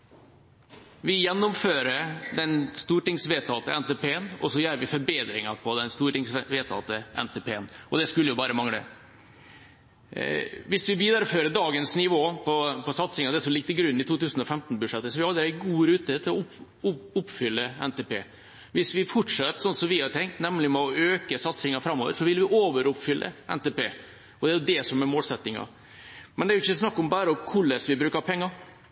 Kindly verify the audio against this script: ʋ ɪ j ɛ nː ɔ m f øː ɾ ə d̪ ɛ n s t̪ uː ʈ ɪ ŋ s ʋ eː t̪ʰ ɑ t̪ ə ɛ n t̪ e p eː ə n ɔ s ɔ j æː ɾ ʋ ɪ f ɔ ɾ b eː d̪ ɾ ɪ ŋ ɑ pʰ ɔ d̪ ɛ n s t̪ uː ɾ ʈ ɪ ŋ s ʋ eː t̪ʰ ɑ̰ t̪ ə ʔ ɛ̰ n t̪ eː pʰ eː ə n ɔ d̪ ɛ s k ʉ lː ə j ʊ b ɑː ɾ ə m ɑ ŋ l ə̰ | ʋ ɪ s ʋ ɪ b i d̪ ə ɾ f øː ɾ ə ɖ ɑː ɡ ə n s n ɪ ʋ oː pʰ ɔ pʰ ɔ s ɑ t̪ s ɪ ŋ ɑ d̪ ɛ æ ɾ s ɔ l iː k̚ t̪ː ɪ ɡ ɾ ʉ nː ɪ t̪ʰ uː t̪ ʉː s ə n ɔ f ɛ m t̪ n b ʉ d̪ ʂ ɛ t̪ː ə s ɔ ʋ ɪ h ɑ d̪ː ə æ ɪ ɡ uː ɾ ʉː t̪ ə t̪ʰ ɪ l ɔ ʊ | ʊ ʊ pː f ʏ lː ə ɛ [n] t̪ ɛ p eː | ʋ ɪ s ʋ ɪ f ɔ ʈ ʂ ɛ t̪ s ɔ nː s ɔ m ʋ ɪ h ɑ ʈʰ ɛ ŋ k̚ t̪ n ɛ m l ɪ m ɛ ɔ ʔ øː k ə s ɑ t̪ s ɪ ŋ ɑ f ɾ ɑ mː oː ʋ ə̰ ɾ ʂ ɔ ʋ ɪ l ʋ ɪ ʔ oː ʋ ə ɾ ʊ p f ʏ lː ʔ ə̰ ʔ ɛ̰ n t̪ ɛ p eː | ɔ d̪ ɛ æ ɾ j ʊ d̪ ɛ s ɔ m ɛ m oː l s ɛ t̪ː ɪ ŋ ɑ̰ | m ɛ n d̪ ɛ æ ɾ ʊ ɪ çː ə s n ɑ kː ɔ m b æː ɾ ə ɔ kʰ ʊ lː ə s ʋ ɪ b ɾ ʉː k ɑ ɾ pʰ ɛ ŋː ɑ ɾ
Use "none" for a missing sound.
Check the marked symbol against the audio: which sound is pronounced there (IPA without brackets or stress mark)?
n